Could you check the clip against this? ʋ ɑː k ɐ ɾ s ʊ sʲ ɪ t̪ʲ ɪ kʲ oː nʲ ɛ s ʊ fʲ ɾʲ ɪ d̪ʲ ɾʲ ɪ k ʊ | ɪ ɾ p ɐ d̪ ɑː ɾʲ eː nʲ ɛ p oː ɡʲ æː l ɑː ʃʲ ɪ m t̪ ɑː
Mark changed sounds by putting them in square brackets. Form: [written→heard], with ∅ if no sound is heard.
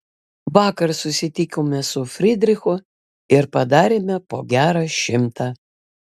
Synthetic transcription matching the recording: ʋ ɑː k ɐ ɾ s ʊ sʲ ɪ t̪ʲ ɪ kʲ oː [nʲ→mʲ] ɛ s ʊ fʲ ɾʲ ɪ d̪ʲ ɾʲ ɪ [k→x] ʊ | ɪ ɾ p ɐ d̪ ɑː ɾʲ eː [nʲ→mʲ] ɛ p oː ɡʲ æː [l→ɾ] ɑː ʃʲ ɪ m t̪ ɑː